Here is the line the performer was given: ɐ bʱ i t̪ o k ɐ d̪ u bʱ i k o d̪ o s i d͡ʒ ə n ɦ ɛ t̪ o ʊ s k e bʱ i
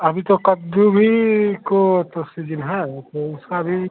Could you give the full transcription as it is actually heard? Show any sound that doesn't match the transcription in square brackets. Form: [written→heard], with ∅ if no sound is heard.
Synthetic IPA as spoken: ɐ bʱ i t̪ o k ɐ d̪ u bʱ i k o [d̪→t̪] o s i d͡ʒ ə n ɦ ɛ t̪ o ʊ s k [e→a] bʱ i